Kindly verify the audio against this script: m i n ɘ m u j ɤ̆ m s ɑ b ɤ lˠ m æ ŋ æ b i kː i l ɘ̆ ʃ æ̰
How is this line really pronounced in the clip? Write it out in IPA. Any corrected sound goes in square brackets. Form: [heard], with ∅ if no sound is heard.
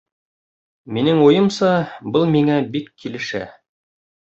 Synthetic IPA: m i n ɘ [ŋ] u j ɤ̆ m s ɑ b ɤ lˠ m [i] ŋ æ b i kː i l ɘ̆ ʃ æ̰